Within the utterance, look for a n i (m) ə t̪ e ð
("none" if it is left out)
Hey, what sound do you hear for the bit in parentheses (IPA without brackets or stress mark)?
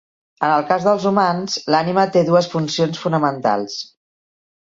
m